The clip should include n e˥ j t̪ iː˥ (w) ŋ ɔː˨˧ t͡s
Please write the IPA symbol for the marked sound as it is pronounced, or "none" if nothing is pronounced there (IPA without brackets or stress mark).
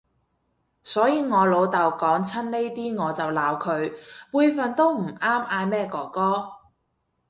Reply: none